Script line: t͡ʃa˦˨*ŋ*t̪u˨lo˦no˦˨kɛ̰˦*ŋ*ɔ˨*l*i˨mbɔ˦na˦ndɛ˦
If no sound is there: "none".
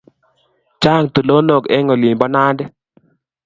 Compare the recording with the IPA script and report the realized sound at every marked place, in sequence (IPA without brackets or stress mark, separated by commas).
ŋ, ŋ, l